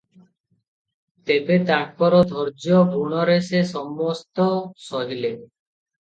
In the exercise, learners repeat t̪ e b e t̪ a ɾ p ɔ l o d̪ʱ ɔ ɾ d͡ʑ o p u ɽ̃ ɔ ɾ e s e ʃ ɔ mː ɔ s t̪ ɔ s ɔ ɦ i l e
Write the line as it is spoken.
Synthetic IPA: t̪ e b e t̪ a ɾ p ɔ ɾ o d̪ʱ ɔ ɾ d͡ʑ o p u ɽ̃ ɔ ɾ e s e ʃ ɔ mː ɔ s t̪ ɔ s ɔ ɦ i l e